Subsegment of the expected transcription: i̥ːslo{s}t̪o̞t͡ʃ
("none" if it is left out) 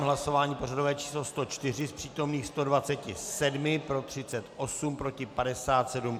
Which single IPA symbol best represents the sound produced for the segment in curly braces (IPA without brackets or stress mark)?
s